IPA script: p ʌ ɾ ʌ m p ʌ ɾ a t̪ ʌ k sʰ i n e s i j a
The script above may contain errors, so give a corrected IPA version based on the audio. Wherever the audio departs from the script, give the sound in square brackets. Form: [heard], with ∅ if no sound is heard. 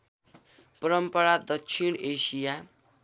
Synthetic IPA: p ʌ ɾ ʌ m p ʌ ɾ a [d̪] ʌ k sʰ i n e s i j a